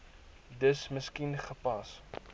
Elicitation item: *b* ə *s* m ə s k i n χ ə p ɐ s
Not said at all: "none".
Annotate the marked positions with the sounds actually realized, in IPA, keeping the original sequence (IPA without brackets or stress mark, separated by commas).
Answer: d, s